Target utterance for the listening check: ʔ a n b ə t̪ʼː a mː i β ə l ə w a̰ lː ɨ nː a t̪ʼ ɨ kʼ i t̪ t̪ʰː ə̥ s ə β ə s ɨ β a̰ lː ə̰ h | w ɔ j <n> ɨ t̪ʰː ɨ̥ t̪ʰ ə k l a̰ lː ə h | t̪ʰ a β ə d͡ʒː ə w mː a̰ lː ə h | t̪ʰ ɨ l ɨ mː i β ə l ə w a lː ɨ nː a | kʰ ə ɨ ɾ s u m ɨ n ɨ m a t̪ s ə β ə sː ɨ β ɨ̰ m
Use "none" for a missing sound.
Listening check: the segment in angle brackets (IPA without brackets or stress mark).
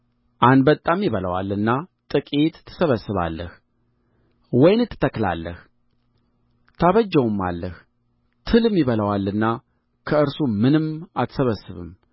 n